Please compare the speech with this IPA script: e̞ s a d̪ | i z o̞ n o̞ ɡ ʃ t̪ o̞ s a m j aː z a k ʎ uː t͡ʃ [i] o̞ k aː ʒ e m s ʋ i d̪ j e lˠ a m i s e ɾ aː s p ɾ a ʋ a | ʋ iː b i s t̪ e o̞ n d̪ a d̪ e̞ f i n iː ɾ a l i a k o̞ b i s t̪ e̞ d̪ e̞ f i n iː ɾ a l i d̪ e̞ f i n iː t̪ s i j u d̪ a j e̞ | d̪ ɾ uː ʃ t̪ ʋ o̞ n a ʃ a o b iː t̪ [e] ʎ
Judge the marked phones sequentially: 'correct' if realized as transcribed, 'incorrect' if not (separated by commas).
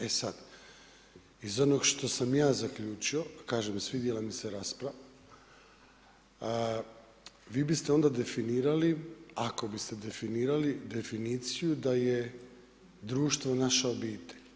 correct, correct